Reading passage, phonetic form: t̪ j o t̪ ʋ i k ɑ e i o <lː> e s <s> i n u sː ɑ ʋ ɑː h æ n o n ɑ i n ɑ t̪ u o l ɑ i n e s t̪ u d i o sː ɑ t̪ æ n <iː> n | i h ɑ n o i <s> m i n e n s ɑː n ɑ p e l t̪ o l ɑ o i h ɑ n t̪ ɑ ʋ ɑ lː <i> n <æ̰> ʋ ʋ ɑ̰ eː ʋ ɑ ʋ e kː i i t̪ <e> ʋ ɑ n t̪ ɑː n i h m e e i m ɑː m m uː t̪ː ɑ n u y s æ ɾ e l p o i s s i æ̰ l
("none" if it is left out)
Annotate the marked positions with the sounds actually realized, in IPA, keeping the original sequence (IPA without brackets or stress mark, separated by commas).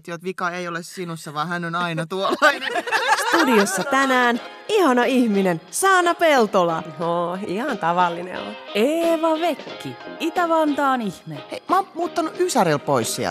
l, s, æː, h, i, ḛ, æ